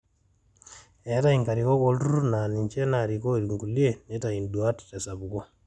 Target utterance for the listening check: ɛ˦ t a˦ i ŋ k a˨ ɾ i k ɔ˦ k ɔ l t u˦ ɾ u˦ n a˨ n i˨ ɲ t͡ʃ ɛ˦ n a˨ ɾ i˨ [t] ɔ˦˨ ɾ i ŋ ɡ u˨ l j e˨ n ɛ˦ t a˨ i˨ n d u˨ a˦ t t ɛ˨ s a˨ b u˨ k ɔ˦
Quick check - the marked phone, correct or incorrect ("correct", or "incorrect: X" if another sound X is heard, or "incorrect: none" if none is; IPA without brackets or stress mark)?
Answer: incorrect: k